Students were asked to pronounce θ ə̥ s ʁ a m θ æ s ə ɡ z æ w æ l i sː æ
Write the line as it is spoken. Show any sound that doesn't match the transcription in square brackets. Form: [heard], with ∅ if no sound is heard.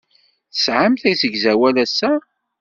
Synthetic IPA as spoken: θ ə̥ s [ʕ] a m θ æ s ə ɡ z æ w æ l [æ] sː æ